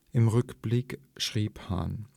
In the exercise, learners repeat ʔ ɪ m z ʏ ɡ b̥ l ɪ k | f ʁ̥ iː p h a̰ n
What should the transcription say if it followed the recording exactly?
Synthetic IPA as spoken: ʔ ɪ m ʁ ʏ k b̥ l ɪ k | ʃ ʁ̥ iː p h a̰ n